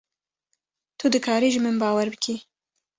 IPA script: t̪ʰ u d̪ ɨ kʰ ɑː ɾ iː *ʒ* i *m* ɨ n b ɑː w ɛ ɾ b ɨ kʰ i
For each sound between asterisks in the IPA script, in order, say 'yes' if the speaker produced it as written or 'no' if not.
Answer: yes, yes

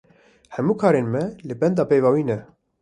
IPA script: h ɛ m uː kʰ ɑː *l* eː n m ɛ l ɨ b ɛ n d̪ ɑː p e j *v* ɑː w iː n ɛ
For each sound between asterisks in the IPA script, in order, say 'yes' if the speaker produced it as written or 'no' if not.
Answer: no, yes

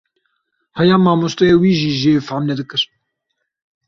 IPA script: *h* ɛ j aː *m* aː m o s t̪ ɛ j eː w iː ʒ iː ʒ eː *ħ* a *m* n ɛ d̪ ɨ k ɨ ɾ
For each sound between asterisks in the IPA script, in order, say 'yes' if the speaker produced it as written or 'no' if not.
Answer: yes, yes, no, yes

